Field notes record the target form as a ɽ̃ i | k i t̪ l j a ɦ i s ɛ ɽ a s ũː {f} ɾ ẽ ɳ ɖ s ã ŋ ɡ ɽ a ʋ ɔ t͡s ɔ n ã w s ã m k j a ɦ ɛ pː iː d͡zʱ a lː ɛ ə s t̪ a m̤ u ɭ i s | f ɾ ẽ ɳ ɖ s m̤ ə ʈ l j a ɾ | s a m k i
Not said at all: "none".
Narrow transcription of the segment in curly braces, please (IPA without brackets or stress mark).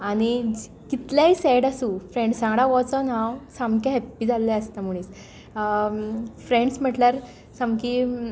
f